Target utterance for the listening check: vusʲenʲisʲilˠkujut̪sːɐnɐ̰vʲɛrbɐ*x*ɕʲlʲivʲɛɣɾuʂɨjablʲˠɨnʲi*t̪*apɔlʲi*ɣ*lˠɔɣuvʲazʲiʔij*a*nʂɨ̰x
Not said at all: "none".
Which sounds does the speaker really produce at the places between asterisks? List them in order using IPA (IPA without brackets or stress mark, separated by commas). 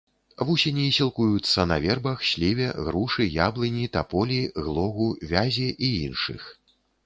x, t̪, ɣ, i